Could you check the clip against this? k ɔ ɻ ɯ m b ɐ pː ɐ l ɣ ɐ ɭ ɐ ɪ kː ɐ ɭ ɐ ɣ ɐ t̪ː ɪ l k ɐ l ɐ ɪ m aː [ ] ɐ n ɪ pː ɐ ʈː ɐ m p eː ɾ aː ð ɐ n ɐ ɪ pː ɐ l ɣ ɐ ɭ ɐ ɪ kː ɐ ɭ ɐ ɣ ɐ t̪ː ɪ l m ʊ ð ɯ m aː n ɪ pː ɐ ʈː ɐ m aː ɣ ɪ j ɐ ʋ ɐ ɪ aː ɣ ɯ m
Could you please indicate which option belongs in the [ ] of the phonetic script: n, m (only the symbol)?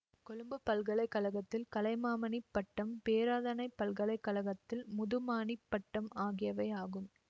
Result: m